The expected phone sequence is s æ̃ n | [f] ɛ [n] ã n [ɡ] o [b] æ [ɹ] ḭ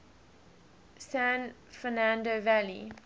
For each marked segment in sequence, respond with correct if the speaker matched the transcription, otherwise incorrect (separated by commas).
correct, correct, incorrect, incorrect, incorrect